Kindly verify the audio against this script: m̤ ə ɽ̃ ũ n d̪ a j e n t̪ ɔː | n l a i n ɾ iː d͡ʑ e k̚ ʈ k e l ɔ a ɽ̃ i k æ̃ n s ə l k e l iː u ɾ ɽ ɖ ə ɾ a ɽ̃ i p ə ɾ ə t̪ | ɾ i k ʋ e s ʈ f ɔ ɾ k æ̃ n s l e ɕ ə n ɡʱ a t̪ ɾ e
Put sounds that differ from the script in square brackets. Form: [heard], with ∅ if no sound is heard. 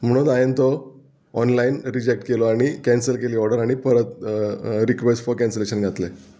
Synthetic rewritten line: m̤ ə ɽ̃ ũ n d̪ a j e n t̪ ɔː | n l a i n ɾ [i] d͡ʑ e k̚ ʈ k e l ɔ a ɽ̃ i k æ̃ n s ə l k e l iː [ɔ] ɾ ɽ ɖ ə ɾ a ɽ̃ i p ə ɾ ə t̪ | ɾ i k ʋ e s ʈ f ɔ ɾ k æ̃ n s l e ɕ ə n ɡʱ a t̪ [l] e

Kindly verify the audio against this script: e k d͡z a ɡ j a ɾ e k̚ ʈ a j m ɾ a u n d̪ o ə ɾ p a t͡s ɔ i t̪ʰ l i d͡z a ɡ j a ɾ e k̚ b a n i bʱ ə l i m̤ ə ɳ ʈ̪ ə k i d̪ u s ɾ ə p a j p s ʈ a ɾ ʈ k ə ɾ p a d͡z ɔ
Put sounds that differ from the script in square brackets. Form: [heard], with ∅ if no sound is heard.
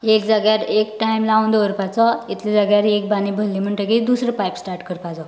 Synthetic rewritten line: e k d͡z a ɡ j a ɾ e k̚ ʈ a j m [l] a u n d̪ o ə ɾ p a t͡s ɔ i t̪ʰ l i d͡z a ɡ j a ɾ e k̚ b a n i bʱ ə l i m̤ ə ɳ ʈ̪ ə k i d̪ u s ɾ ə p a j p s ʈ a ɾ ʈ k ə ɾ p a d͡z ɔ

